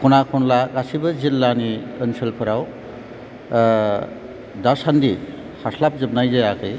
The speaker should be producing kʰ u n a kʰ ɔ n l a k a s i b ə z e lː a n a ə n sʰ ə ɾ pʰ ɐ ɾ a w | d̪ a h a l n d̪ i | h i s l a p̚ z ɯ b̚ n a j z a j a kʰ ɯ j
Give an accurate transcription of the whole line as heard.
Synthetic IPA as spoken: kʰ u n a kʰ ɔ n l a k a s i b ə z i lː a n i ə n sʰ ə l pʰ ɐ ɾ a w | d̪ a s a n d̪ i | h a s l a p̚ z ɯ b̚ n a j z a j a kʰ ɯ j